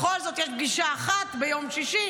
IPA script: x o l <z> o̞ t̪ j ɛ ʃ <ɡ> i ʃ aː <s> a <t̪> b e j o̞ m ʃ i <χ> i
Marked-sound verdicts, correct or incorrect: correct, correct, incorrect: χ, correct, incorrect: ʃ

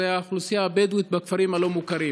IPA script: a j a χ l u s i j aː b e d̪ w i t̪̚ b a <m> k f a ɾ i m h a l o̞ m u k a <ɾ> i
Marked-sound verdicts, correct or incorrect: incorrect: none, correct

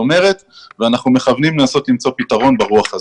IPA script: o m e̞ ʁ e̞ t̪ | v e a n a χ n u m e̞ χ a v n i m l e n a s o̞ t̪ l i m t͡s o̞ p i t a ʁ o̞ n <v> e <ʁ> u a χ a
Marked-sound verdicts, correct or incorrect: incorrect: b, correct

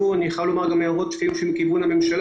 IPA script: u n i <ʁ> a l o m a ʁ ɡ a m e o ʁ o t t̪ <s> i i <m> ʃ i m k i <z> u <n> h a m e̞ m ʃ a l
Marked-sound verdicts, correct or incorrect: incorrect: χ, incorrect: f, correct, incorrect: v, correct

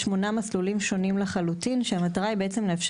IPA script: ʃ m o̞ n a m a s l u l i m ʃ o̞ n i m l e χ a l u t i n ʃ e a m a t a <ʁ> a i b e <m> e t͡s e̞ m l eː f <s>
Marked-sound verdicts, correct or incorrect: correct, incorrect: none, incorrect: ʃ

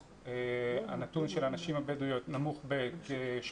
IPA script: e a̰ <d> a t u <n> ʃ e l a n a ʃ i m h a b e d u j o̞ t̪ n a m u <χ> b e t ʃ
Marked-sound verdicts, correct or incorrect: incorrect: n, correct, correct

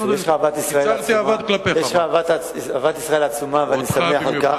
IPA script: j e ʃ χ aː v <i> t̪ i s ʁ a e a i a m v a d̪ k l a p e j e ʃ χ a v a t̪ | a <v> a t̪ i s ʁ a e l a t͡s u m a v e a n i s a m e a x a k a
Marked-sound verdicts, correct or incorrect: incorrect: a, correct

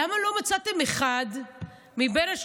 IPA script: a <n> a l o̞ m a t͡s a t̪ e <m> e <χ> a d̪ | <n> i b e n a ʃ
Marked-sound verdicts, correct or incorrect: incorrect: m, correct, correct, incorrect: m

